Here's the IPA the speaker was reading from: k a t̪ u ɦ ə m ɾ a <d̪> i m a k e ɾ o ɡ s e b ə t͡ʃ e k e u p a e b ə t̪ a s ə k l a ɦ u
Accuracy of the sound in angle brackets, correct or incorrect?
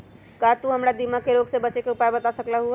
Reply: correct